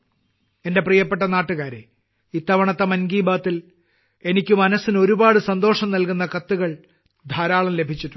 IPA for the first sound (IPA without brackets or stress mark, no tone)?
e̞